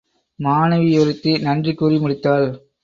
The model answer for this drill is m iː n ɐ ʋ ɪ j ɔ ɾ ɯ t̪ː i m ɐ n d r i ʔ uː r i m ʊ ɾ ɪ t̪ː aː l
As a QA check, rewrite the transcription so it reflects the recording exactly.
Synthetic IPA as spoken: m aː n ɐ ʋ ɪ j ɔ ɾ ɯ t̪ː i n ɐ n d r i k uː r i m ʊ ɽ ɪ t̪ː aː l